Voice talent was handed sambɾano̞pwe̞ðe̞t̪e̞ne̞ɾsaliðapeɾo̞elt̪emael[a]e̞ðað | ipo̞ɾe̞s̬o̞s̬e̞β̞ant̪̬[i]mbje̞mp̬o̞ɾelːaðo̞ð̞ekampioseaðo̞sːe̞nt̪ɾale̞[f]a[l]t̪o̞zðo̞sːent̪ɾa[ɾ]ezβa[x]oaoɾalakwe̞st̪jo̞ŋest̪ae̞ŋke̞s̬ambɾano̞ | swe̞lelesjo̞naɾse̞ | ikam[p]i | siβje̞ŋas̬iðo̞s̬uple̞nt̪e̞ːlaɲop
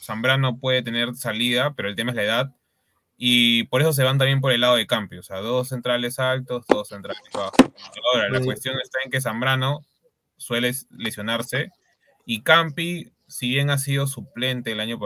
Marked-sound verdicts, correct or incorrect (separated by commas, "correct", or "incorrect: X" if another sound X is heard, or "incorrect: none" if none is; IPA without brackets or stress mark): correct, incorrect: a, incorrect: s, correct, incorrect: l, correct, correct